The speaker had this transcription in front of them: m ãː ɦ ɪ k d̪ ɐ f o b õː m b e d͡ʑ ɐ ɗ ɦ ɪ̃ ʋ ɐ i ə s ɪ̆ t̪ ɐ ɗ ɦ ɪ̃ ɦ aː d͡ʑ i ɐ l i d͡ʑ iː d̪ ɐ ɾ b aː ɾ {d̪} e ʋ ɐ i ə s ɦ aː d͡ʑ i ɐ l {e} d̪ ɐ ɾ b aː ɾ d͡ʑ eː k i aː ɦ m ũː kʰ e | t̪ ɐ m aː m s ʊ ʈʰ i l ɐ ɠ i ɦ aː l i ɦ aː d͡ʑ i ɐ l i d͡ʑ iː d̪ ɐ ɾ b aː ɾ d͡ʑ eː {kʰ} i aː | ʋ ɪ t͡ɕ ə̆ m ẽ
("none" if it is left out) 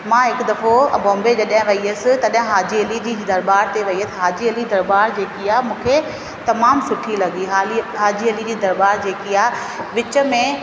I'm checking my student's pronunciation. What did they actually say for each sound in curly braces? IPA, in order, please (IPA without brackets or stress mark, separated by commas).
t̪, i, k